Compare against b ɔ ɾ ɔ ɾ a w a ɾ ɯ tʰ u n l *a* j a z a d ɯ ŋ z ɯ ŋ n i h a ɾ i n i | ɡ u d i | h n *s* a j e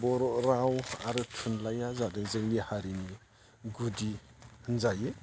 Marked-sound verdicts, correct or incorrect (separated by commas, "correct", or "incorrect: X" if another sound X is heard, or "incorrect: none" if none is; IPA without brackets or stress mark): correct, incorrect: z